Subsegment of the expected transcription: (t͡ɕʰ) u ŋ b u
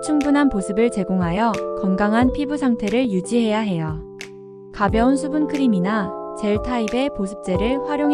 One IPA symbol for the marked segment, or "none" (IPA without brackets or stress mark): t͡ɕʰ